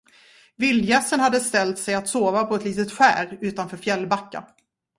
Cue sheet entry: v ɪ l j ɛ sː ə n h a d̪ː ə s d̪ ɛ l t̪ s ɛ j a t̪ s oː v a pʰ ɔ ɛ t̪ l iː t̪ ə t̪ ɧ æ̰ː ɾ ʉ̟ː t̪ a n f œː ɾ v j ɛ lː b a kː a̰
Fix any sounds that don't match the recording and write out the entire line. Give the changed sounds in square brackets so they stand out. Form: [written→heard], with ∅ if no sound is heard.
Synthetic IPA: v ɪ l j ɛ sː ə n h a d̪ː ə s [d̪→t̪] ɛ l t̪ s ɛ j a t̪ s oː v a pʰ ɔ ɛ t̪ l iː t̪ ə t̪ ɧ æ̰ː ɾ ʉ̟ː t̪ a n f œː ɾ [v→f] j ɛ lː b a kː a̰